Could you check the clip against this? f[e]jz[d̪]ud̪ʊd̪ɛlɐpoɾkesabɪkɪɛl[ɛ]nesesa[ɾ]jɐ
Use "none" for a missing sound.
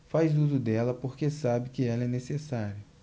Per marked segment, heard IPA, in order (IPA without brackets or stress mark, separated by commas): a, d̪, ɛ, ɾ